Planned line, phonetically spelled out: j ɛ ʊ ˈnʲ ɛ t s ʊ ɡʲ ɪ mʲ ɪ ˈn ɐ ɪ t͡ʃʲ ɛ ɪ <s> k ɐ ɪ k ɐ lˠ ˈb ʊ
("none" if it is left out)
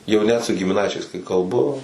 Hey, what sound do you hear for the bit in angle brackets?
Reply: s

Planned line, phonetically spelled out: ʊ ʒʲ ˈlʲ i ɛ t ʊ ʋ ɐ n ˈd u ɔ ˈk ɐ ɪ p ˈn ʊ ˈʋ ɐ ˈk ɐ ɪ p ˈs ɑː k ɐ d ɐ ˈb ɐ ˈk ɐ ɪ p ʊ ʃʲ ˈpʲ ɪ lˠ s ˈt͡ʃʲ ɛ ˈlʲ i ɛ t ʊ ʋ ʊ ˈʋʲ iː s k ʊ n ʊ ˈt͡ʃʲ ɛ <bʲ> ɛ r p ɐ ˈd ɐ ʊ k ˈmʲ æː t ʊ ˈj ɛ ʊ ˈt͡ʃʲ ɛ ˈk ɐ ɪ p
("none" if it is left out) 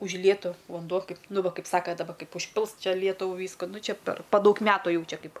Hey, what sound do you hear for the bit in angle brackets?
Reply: pʲ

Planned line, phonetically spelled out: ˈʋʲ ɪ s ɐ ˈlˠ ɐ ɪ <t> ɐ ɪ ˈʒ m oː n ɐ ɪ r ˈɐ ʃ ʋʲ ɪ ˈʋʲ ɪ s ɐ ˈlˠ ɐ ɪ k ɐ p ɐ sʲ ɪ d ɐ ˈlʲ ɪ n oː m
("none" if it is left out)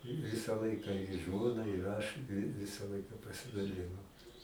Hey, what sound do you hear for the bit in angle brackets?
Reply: k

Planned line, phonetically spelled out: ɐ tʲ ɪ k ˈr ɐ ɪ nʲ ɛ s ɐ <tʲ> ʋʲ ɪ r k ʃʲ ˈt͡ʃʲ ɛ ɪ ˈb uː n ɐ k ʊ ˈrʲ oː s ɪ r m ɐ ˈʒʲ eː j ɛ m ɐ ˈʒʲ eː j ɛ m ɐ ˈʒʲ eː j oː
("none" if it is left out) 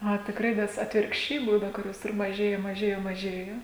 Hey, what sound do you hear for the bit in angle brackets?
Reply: tʲ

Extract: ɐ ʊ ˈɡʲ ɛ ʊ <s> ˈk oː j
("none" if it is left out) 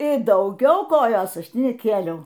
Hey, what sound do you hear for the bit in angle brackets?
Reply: none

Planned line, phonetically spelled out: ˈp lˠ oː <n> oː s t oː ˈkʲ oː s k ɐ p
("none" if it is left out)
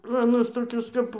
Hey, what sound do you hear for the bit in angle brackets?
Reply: n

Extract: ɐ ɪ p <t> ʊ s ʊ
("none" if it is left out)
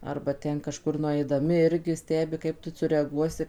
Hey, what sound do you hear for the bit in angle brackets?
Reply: t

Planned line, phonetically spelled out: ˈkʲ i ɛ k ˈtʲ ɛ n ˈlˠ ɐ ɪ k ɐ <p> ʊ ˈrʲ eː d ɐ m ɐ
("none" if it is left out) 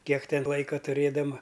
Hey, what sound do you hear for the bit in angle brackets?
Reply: t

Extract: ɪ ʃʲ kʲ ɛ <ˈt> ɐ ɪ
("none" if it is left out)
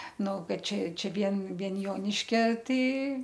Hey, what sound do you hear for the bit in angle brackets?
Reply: t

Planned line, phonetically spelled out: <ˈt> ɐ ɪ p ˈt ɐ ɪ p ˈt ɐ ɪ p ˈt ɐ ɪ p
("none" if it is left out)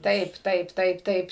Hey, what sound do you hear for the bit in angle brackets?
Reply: t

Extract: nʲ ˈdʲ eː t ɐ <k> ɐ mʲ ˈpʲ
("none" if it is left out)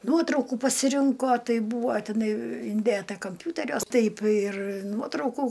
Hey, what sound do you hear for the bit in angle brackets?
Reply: k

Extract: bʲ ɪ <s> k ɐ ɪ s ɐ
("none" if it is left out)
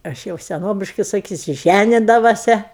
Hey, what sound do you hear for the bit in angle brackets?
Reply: ʃ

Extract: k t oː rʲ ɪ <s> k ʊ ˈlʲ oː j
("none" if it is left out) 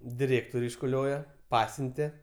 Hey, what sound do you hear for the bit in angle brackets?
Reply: ʃ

